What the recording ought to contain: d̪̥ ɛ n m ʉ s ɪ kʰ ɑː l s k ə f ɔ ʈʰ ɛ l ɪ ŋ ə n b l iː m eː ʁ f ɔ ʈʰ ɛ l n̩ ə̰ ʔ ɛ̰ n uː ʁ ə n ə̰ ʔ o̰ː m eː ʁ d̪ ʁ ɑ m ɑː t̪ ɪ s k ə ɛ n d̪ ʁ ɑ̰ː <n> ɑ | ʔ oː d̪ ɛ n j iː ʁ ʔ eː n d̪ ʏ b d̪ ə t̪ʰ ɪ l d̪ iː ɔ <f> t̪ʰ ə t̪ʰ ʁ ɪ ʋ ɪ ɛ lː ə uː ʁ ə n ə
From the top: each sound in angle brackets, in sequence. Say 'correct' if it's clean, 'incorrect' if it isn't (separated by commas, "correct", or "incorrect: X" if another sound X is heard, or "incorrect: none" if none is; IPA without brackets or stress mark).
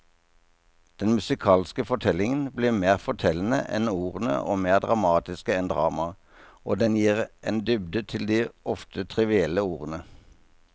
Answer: incorrect: m, correct